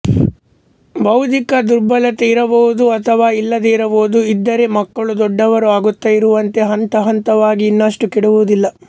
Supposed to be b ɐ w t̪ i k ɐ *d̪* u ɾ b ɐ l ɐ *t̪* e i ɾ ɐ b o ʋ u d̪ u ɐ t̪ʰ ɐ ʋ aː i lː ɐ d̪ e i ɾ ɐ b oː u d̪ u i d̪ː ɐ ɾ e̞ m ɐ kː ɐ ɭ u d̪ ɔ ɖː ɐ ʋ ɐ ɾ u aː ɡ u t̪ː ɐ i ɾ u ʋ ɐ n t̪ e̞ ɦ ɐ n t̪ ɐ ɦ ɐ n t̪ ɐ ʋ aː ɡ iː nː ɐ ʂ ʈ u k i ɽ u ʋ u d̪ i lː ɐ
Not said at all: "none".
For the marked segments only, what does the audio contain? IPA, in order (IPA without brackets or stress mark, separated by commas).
d̪, t̪